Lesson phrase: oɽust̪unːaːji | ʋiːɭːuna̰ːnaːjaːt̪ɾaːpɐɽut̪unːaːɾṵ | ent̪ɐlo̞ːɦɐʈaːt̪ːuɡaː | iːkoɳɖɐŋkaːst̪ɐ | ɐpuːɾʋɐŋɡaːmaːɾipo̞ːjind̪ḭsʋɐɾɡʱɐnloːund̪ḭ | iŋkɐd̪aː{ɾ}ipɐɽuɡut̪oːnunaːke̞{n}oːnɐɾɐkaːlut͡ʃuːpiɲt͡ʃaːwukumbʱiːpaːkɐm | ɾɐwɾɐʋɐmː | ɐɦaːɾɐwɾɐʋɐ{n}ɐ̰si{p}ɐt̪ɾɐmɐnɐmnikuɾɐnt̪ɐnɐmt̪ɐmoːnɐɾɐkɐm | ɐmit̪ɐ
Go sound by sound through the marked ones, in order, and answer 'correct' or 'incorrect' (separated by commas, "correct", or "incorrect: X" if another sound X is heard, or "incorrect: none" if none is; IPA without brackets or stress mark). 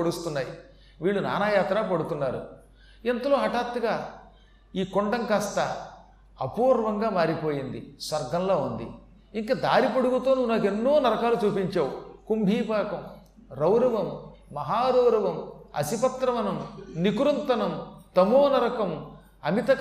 correct, incorrect: nː, incorrect: m, correct